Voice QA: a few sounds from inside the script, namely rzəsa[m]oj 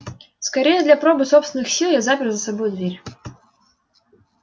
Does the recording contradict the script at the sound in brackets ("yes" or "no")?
yes